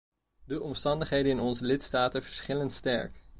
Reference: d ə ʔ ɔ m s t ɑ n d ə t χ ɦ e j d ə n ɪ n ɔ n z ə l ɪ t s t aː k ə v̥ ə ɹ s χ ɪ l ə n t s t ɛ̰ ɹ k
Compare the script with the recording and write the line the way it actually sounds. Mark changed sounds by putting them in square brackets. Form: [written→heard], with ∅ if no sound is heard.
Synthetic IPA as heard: d ə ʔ ɔ m s t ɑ n d ə [t→∅] χ ɦ e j d ə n ɪ n ɔ n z ə l ɪ t s t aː [k→t] ə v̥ ə ɹ s χ ɪ l ə n t s t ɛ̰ ɹ k